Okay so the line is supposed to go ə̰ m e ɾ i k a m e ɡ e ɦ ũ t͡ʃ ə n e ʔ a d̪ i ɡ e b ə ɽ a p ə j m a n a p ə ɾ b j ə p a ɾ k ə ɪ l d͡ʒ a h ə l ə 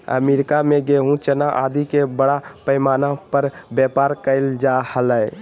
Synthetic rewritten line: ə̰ m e ɾ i k a m e ɡ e ɦ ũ t͡ʃ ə n a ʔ a d̪ i k e b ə ɽ a p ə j m a n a p ə ɾ b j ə p a ɾ k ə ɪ l d͡ʒ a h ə l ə